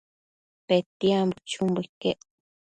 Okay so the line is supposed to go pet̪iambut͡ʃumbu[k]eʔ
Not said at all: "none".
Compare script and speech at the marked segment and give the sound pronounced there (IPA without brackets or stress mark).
k